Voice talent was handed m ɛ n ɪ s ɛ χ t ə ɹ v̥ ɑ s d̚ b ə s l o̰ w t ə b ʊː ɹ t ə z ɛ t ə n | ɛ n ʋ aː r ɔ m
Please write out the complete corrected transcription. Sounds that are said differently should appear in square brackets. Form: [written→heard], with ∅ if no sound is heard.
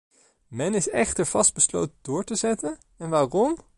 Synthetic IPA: m ɛ n ɪ s ɛ χ t ə ɹ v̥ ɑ s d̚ b ə s l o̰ w t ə [b→d] ʊː ɹ t ə z ɛ t ə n | ɛ n ʋ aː r ɔ m